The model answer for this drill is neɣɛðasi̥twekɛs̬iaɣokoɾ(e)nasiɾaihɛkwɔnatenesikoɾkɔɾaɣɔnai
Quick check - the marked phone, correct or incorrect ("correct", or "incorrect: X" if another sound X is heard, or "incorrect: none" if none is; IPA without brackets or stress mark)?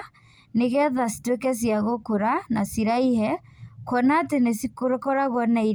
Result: incorrect: a